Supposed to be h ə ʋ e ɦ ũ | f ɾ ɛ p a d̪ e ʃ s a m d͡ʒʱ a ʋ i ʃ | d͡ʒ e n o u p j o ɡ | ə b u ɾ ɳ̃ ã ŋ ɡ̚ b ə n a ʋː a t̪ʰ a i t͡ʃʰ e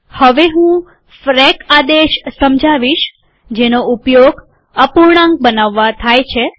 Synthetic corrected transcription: h ə ʋ e ɦ ũ | f ɾ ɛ k a d̪ e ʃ s ə m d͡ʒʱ a ʋ i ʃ | d͡ʒ e n o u p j o ɡ | ə p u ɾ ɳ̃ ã ŋ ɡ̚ b ə n a ʋː a t̪ʰ a j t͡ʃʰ e

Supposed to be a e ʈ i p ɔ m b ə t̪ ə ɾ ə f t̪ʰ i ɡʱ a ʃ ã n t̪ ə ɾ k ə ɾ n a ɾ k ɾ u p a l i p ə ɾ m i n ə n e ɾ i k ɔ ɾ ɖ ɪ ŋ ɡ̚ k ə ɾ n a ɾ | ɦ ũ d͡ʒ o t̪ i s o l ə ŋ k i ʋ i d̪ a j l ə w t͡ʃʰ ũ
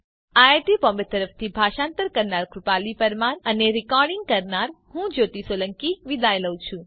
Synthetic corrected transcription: a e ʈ i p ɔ m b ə t̪ ə ɾ ə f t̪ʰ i bʱ a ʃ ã n t̪ ə ɾ k ə ɾ n a ɾ k ɾ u p a l i p ə ɾ m a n ə n e ɾ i k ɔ ɾ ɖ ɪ ŋ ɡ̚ k ə ɾ n a ɾ | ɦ ũ d͡ʒ o t̪ i s o l ə ŋ k i ʋ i d̪ a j l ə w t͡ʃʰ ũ

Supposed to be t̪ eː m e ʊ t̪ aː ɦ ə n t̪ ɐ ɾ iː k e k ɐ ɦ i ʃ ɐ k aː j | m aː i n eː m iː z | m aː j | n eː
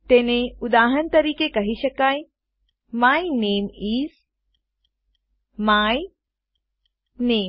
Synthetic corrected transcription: t̪ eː n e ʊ d̪ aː ɦ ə n t̪ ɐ ɾ iː k e k ɐ ɦ i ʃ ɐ k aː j | m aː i n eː m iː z | m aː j | n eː

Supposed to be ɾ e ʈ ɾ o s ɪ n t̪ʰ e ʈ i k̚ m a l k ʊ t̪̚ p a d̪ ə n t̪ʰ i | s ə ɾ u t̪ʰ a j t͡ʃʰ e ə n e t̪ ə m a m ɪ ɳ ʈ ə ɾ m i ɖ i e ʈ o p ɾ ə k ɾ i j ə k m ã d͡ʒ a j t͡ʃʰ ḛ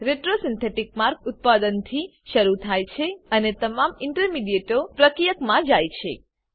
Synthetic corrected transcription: ɾ e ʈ ɾ o s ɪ n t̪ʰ e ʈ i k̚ m a ɾ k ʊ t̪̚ p a d̪ ə n t̪ʰ i | ʃ ə ɾ u t̪ʰ a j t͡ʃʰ e ə n e t̪ ə m a m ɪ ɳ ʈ ə ɾ m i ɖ i e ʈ o p ɾ ə k ɾ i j ə k m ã d͡ʒ a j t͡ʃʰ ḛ

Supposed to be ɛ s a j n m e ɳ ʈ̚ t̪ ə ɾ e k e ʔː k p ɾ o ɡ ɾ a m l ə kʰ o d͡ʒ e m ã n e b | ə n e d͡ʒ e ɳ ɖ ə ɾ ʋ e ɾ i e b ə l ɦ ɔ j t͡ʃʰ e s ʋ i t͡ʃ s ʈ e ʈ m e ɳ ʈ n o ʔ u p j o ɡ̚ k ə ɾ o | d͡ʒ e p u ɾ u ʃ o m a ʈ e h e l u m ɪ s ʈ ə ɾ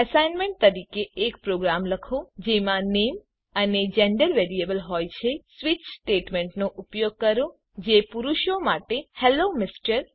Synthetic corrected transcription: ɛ s a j n m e ɳ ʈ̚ t̪ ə ɾ i k e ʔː k p ɾ o ɡ ɾ a m l ə kʰ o d͡ʒ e m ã n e m | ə n e d͡ʒ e ɳ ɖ ə ɾ ʋ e ɾ i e b ə l ɦ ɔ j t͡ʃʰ e s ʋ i t͡ʃ s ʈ e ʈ m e ɳ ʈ n o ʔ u p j o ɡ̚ k ə ɾ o | d͡ʒ e p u ɾ u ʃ o m a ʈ e h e l o m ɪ s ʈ ə ɾ

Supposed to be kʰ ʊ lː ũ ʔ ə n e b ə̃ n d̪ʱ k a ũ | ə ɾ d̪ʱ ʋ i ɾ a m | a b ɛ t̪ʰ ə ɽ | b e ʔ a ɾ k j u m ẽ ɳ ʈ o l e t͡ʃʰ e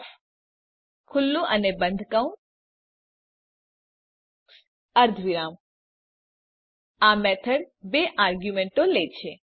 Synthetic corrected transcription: kʰ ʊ lː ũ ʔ ə n e b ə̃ n d̪ʱ k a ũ | ə ɾ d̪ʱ ʋ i ɾ a m | a m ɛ t̪ʰ ə ɽ | b e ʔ a ɾ ɡ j u m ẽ ɳ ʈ o l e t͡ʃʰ e

